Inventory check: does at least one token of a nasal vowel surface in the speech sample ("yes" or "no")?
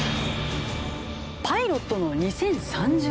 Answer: yes